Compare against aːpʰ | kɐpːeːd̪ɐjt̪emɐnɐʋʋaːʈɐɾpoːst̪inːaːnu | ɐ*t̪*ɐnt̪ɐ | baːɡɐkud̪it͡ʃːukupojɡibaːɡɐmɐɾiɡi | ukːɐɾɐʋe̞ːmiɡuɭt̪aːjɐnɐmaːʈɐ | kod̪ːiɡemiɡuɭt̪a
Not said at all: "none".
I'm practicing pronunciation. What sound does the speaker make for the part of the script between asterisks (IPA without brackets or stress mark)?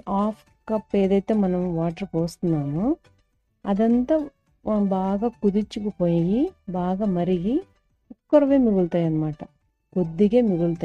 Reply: d̪